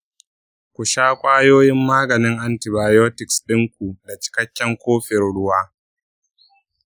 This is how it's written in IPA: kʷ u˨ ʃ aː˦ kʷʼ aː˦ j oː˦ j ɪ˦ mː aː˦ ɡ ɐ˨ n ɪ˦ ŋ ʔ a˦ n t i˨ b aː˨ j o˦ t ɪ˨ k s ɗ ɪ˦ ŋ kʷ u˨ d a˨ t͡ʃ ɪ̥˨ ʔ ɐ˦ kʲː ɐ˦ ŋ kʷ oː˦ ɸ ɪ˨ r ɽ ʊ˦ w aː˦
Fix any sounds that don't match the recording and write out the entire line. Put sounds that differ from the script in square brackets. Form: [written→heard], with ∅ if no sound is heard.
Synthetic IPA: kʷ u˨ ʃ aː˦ kʷʼ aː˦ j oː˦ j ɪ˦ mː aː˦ ɡ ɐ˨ n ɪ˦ ŋ ʔ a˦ n t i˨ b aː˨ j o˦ t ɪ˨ k s ɗ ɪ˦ ŋ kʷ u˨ d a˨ t͡ʃ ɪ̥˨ [ʔ→k] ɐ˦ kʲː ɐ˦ ŋ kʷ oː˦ ɸ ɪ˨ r ɽ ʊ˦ w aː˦